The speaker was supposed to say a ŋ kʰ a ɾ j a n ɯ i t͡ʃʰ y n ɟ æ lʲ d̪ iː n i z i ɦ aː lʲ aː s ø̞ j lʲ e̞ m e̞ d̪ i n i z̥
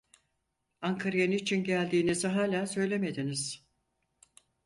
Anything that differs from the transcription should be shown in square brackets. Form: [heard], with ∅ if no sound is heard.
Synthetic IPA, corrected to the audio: a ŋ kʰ a ɾ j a n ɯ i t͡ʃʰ [i] n ɟ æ lʲ d̪ iː n i z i ɦ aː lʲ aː s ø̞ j lʲ e̞ m e̞ d̪ i n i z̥